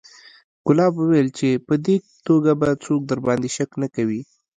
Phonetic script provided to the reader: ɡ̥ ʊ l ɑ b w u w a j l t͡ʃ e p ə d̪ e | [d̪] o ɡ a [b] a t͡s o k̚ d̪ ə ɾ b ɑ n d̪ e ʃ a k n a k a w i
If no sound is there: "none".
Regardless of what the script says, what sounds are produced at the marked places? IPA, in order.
t̪, b

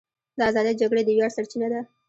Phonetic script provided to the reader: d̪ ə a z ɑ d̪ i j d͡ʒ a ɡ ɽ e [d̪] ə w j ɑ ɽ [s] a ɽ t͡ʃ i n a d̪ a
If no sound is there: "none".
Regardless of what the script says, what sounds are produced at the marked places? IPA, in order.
d̪, s

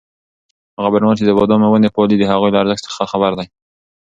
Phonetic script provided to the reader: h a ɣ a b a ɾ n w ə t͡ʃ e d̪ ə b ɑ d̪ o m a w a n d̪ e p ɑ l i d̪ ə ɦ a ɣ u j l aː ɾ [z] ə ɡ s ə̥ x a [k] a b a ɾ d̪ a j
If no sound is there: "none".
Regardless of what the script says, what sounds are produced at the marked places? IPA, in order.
z, x

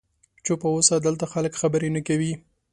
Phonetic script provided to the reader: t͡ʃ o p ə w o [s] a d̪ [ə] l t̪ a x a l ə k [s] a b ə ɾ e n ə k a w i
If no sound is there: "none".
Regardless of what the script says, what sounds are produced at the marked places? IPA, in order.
s, ə, x

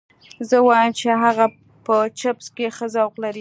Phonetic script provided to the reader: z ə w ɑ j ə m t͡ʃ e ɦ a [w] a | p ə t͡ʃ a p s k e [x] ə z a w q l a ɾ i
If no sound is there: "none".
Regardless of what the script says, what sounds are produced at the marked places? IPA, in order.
ɣ, x

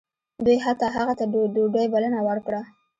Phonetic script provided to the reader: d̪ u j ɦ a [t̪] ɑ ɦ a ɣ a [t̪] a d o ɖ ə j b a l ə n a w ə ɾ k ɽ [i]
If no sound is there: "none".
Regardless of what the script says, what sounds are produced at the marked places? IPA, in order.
t̪, t̪, a

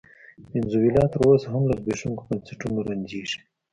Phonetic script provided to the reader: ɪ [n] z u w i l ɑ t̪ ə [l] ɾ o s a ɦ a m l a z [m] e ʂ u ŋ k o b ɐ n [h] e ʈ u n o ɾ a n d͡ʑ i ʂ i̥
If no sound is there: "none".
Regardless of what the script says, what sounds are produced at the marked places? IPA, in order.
n, none, b, s

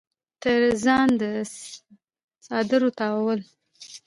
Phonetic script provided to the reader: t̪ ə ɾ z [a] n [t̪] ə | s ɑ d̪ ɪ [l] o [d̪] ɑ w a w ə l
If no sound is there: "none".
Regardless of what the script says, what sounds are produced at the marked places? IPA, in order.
ɑ, d̪, ɾ, t̪

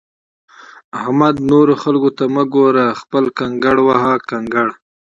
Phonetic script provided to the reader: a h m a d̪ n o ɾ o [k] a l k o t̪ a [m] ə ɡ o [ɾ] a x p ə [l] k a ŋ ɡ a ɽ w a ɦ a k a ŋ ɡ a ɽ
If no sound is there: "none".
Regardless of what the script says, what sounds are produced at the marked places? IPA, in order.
x, m, ɾ, l

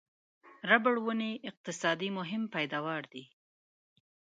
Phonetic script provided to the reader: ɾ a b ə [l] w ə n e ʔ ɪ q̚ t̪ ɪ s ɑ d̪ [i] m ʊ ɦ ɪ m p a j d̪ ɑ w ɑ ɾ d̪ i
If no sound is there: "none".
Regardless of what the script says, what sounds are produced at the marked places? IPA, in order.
ɽ, i

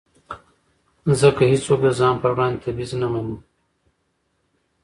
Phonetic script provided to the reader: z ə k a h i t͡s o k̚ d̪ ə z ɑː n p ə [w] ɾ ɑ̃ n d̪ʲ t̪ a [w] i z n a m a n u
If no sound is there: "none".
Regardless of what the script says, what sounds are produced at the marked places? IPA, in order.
w, b

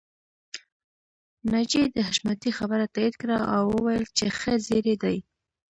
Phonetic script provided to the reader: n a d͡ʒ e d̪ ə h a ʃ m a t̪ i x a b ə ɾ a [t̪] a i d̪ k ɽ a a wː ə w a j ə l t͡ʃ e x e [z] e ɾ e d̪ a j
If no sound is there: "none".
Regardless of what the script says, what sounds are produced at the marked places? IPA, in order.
t̪, z

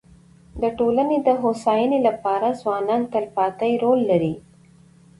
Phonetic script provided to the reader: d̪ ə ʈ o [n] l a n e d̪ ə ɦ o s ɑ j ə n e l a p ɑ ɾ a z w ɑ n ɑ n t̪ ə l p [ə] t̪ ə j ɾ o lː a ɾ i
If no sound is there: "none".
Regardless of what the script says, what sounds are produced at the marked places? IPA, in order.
none, ɑ

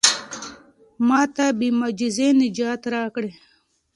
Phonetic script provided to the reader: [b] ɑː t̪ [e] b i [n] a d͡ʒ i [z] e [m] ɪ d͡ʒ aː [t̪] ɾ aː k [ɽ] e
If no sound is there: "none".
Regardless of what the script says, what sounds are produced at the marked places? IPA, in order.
m, a, m, z, n, t̪, ɽ

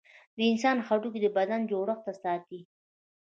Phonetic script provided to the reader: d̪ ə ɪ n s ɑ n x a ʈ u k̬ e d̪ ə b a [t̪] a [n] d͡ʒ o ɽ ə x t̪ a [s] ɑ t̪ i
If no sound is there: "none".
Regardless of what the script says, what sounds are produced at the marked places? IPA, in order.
d̪, n, s

